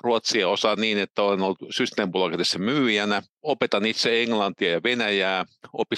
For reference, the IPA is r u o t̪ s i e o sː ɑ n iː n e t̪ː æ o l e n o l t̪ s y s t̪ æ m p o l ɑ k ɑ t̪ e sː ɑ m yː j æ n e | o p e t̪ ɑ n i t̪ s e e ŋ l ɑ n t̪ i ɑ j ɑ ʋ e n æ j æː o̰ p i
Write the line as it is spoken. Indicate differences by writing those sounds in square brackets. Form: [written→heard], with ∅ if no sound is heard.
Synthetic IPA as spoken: r u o t̪ s i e o [sː→s] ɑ n iː n e t̪ː æ o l e n o l t̪ s y s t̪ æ m p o l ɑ k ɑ t̪ e sː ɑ m yː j æ n [e→æ] | o p e t̪ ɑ n i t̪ s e e ŋ l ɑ n t̪ i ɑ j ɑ ʋ e n æ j æː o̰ p i